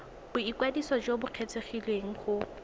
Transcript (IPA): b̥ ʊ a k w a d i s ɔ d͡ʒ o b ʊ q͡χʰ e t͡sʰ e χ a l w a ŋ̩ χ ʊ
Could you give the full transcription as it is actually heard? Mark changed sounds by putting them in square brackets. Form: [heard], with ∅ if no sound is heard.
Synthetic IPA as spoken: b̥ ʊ [i] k w a d i s ɔ d͡ʒ o b ʊ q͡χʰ e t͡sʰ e χ [i] l w [e] ŋ̩ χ ʊ